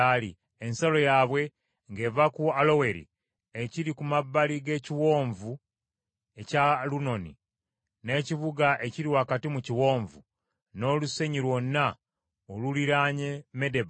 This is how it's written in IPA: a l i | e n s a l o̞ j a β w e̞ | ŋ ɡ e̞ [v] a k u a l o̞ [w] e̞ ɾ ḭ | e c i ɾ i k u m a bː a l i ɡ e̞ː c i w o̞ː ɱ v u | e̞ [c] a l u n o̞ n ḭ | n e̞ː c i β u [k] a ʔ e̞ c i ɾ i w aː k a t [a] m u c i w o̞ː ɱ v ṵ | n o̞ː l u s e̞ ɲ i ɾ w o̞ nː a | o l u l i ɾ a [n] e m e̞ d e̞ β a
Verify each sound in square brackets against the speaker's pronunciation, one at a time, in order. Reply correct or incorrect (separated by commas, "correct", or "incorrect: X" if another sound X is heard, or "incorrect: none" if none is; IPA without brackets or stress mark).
correct, correct, correct, incorrect: ɡ, incorrect: i, incorrect: ɲ